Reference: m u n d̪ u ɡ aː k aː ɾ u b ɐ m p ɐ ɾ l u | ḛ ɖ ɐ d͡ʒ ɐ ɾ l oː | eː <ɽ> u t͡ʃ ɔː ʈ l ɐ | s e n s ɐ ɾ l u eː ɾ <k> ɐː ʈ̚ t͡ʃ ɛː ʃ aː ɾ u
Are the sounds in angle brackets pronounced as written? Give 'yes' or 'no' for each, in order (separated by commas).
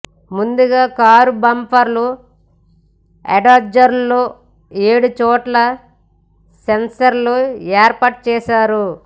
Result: yes, no